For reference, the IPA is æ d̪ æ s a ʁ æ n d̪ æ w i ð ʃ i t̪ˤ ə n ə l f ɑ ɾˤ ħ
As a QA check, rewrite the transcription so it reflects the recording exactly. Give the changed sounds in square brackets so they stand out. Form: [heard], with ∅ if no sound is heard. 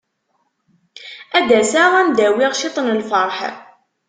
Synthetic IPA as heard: æ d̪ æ s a ʁ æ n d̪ æ w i [ʁ] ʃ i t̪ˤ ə n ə l f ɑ ɾˤ ħ